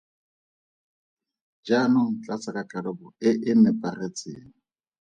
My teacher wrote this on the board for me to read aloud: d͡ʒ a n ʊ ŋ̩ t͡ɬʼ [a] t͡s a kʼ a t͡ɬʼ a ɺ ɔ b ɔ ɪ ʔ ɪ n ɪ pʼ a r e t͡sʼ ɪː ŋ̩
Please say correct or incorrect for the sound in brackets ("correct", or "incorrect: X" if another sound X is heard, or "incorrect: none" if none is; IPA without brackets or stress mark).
correct